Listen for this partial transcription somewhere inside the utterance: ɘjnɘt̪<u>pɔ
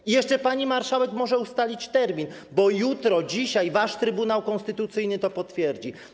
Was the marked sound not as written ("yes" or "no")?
yes